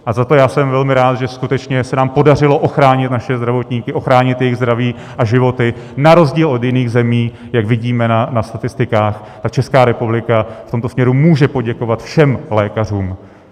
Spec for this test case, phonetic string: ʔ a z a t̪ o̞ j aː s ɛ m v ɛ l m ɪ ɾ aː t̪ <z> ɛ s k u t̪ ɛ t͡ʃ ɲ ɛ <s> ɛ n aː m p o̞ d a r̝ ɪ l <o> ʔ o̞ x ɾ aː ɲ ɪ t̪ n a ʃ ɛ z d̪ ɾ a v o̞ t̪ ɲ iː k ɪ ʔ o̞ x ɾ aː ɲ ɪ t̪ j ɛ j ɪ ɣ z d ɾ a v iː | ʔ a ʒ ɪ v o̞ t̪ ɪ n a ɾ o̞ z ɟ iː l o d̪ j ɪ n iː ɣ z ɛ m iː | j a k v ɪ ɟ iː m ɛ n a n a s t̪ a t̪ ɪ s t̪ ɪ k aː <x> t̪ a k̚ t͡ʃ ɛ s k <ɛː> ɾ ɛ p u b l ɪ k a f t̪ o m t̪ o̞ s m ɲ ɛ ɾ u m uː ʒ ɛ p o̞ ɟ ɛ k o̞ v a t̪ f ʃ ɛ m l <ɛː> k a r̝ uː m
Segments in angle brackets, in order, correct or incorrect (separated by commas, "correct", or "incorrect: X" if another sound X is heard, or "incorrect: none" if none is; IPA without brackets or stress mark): incorrect: ʒ, correct, correct, correct, incorrect: aː, correct